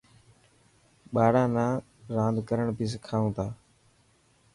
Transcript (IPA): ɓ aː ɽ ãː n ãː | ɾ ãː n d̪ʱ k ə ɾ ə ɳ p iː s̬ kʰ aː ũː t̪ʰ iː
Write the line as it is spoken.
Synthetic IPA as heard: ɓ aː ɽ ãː n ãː | ɾ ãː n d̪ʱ k ə ɾ ə ɳ p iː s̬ kʰ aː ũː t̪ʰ aː